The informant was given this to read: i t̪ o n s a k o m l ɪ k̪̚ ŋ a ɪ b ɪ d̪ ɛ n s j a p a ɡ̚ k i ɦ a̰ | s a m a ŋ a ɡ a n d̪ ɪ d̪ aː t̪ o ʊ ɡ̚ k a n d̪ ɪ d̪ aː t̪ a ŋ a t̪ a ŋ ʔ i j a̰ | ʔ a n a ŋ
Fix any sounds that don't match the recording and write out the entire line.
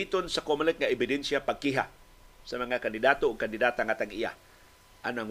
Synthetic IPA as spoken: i t̪ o n s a k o m l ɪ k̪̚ ŋ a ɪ b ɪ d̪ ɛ n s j a p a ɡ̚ k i ɦ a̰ | s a m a ŋ a k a n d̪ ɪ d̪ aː t̪ o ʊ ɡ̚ k a n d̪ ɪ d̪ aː t̪ a ŋ a t̪ a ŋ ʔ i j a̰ | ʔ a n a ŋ